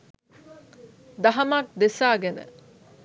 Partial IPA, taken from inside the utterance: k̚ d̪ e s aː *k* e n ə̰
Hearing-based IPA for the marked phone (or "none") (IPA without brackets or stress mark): ɡ